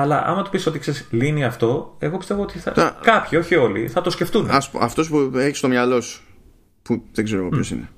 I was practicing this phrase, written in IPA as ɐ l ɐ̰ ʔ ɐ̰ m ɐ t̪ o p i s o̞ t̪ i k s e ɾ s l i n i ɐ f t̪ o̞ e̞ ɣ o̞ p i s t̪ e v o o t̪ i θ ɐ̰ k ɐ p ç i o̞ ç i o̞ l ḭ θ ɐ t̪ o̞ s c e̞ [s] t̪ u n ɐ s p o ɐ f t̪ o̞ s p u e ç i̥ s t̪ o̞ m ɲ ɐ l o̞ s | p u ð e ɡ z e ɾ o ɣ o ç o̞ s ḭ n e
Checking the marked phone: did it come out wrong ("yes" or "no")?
yes